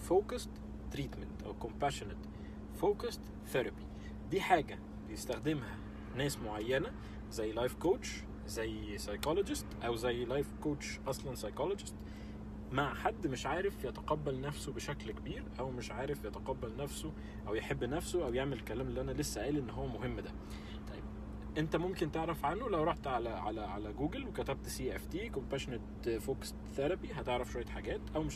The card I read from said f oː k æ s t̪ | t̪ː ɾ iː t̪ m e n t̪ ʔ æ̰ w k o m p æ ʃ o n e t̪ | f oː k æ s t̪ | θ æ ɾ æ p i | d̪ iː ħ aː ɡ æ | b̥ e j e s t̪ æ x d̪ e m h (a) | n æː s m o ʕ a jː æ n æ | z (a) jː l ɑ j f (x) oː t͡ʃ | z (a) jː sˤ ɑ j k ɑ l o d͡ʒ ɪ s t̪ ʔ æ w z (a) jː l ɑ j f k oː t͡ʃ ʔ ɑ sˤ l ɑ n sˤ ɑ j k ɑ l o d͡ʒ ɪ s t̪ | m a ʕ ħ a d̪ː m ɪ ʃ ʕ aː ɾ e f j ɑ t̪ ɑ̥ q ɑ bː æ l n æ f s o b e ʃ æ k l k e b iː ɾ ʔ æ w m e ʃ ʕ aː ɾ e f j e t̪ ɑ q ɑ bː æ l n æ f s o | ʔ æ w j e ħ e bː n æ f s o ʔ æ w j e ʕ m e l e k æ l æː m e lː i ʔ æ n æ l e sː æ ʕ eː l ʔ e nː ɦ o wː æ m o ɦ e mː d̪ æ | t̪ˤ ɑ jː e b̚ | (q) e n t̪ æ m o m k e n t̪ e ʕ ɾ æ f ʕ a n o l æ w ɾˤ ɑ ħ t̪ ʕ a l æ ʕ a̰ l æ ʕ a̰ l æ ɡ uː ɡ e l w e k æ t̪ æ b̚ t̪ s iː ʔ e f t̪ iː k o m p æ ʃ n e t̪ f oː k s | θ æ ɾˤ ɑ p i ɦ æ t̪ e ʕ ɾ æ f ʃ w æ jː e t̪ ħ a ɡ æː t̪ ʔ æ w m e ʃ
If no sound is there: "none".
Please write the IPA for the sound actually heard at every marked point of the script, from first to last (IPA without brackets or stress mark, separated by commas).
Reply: æ, æ, k, æ, æ, ʔ